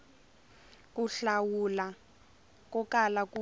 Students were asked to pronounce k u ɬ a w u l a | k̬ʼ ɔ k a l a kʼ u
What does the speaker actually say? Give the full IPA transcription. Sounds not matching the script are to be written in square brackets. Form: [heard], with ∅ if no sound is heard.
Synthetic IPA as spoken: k u ɬ a w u l a | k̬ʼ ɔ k a l a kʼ u